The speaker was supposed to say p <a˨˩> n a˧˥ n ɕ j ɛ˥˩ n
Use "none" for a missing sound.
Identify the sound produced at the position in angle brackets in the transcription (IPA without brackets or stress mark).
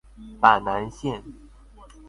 a˨˩